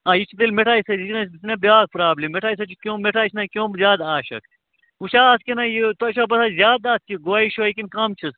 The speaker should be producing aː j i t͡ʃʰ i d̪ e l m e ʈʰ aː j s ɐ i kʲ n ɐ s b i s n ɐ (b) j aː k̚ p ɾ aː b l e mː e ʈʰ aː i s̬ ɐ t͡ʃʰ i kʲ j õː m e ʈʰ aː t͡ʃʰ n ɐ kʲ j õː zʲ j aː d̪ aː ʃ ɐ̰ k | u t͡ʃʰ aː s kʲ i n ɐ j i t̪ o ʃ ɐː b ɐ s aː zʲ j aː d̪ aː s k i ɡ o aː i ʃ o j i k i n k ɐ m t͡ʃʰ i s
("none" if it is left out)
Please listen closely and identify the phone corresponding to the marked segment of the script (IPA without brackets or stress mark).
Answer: b